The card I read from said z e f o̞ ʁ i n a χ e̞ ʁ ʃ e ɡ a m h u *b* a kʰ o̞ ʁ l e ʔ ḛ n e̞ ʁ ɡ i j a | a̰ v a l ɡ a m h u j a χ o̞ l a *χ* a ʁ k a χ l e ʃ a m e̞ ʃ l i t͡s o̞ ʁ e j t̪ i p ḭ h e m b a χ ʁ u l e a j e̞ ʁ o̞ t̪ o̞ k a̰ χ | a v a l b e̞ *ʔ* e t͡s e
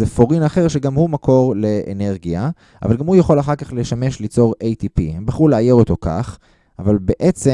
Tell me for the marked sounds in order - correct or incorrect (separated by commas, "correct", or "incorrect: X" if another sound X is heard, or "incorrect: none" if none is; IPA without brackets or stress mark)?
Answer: incorrect: m, correct, correct